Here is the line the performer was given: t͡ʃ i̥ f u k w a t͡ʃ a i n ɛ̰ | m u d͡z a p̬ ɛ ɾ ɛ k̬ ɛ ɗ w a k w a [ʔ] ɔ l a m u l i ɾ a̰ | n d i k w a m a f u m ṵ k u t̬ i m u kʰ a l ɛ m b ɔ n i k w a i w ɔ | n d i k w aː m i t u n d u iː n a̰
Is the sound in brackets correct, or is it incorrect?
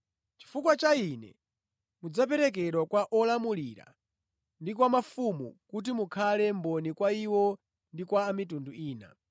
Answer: correct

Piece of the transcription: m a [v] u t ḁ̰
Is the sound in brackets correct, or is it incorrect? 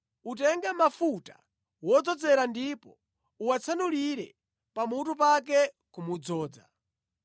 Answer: incorrect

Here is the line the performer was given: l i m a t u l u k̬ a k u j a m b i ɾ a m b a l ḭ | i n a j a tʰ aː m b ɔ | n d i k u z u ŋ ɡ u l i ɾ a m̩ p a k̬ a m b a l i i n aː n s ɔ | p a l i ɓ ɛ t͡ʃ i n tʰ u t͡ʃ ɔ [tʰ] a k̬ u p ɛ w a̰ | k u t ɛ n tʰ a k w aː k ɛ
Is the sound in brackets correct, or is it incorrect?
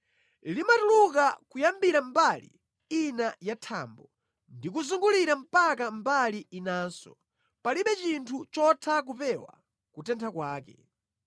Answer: correct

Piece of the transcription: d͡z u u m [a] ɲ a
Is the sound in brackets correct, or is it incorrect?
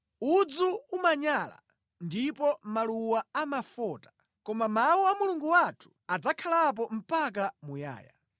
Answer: correct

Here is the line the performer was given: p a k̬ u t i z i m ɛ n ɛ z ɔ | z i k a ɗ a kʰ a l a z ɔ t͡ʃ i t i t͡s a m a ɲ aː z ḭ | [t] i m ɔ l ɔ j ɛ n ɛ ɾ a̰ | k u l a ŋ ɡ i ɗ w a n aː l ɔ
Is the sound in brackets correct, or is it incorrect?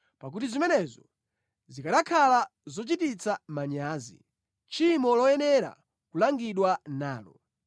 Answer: incorrect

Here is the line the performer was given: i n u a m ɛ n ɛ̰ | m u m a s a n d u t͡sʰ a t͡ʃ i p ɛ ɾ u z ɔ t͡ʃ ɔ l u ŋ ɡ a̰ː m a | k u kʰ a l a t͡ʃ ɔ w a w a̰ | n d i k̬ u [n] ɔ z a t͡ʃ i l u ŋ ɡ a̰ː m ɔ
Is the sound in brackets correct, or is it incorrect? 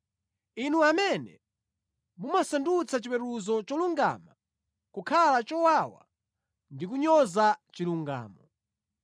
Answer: incorrect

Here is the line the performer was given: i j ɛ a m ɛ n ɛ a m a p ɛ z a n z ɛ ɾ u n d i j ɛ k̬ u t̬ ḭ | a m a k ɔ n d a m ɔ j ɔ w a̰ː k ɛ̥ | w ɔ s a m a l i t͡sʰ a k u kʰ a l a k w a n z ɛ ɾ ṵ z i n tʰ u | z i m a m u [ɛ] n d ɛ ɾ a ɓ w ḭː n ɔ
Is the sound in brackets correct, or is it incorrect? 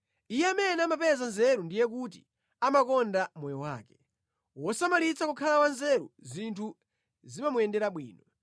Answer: correct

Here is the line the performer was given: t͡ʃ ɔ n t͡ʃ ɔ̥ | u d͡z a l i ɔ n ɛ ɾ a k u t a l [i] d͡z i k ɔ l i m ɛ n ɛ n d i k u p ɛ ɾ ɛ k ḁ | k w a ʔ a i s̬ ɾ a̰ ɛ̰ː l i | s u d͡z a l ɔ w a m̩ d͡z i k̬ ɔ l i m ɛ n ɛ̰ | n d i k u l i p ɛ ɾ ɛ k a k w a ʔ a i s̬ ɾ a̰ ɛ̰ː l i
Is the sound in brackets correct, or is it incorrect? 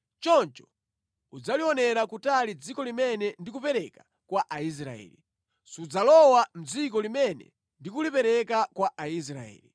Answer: correct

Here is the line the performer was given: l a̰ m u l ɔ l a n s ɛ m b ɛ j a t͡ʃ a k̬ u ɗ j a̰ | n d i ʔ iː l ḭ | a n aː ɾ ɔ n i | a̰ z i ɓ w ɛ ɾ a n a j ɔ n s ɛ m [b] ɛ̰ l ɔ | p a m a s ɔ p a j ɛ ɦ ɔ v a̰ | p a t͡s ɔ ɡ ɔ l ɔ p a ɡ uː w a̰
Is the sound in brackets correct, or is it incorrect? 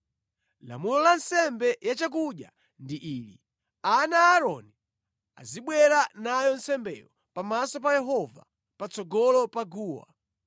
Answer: correct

